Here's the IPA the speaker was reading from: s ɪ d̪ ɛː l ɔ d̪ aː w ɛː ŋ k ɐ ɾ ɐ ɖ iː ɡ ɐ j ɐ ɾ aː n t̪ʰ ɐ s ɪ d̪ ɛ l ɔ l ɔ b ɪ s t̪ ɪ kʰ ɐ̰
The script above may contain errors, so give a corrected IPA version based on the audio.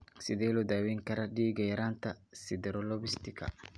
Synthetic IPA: s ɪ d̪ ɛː l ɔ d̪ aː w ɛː ŋ k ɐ ɾ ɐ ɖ iː ɡ ɐ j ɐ ɾ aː n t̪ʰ ɐ s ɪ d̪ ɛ ɾ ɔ l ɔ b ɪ s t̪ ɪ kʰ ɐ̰

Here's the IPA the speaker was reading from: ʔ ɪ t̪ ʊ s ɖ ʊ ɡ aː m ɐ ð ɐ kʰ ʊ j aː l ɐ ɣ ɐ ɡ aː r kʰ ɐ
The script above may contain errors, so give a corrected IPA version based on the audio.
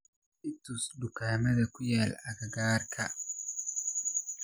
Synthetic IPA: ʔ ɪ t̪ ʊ s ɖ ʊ k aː m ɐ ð ɐ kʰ ʊ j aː l ɐ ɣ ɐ ɡ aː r kʰ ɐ

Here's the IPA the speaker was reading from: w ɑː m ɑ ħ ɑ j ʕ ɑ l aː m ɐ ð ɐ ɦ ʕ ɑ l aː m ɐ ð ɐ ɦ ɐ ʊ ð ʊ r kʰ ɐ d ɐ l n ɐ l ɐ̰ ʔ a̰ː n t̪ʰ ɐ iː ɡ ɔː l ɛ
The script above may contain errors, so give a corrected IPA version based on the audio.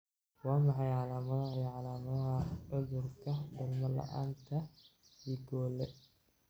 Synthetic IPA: w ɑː m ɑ ħ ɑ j ʕ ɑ l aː m ɐ ð ɐ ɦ ʕ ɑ l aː m ɐ ð ɐ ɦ ɐ ʊ ð ʊ r kʰ ɐ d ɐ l m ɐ l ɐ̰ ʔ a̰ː n t̪ʰ ɐ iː ɡ ɔː l ɛ

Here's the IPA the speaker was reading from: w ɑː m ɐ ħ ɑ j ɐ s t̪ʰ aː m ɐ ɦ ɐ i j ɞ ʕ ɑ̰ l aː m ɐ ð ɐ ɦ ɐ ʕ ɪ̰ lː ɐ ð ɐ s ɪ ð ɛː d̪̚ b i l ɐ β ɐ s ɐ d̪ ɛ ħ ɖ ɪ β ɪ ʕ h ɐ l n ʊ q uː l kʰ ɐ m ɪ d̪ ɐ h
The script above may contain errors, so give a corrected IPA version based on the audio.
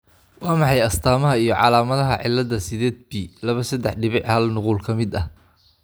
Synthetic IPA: w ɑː m ɑ ħ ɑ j ɐ s t̪ʰ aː m ɐ ɦ ɐ i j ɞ ʕ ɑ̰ l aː m ɐ ð ɐ ɦ ɐ ʕ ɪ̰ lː ɐ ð ɐ s ɪ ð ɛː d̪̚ b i l ɐ β ɐ s ɐ d̪ ɛ ħ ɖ ɪ β ɪ ʕ h ɐ l n ʊ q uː l kʰ ɐ m ɪ d̪ ɐ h

